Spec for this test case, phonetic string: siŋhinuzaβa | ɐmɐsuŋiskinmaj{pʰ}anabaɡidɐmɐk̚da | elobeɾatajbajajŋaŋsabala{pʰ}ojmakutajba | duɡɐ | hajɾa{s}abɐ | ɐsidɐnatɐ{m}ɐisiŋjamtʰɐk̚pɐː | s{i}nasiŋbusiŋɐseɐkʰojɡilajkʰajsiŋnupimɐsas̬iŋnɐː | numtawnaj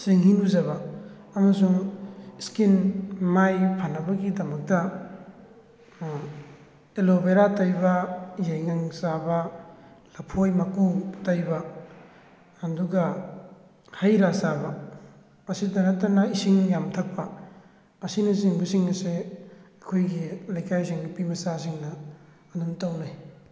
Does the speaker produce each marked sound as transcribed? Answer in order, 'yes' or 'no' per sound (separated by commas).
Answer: yes, yes, yes, no, yes